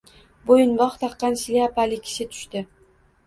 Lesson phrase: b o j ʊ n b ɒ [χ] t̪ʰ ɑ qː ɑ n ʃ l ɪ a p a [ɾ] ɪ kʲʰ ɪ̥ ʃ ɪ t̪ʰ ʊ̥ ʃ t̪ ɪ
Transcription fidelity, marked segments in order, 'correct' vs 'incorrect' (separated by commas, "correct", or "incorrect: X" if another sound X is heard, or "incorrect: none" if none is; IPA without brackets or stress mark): correct, incorrect: l